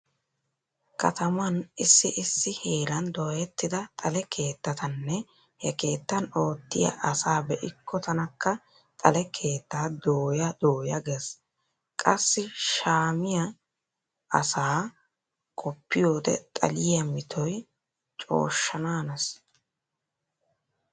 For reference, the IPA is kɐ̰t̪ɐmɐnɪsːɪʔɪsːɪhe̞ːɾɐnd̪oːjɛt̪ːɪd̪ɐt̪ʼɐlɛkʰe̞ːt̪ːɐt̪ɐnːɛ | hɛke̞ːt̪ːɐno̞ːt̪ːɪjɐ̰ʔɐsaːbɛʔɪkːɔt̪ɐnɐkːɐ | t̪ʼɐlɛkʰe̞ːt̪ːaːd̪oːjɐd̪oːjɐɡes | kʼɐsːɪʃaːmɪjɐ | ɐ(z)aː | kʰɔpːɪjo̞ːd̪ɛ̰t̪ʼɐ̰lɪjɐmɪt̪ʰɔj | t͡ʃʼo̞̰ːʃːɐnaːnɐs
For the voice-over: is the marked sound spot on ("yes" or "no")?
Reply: no